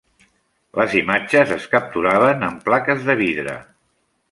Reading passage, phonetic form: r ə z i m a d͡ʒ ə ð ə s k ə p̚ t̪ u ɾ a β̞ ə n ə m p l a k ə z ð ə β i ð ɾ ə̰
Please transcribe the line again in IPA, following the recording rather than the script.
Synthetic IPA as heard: l ə z i m a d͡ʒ ə z ə s k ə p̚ t̪ u ɾ a β̞ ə n ə m p l a k ə z ð ə β i ð ɾ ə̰